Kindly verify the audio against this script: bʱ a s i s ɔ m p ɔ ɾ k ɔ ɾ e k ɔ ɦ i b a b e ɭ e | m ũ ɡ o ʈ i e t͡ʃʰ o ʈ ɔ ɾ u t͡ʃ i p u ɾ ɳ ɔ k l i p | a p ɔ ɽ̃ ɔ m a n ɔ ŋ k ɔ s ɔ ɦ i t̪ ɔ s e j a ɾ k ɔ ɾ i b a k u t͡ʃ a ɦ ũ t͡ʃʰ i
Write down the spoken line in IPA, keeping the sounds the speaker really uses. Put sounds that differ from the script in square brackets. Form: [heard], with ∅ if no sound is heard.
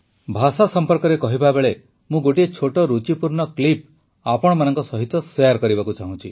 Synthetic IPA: bʱ a s [a] s ɔ m p ɔ ɾ k ɔ ɾ e k ɔ ɦ i b a b e ɭ e | m ũ ɡ o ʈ i e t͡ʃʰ o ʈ ɔ ɾ u t͡ʃ i p u ɾ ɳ ɔ k l i p | a p ɔ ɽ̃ ɔ m a n ɔ ŋ k ɔ s ɔ ɦ i t̪ ɔ s e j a ɾ k ɔ ɾ i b a k u t͡ʃ a ɦ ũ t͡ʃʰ i